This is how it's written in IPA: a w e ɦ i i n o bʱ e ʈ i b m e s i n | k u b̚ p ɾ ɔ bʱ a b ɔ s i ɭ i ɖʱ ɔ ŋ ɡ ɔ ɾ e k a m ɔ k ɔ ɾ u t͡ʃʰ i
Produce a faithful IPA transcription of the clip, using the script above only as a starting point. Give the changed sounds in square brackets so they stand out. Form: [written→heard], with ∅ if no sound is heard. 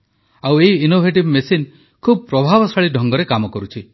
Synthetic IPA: a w e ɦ i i n o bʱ e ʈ i b m e s i n | [k→kʰ] u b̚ p ɾ ɔ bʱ a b ɔ s [i→a] ɭ i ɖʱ ɔ ŋ ɡ ɔ ɾ e k a m ɔ k ɔ ɾ u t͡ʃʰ i